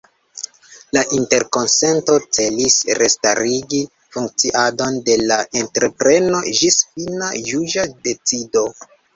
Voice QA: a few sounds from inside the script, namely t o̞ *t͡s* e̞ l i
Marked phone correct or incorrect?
correct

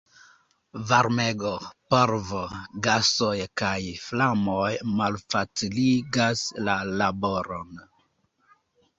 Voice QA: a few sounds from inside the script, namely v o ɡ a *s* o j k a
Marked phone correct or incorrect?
correct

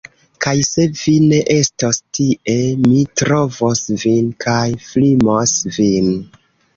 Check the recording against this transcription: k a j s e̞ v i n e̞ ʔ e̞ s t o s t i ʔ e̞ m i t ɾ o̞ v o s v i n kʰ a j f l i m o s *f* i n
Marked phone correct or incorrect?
incorrect: v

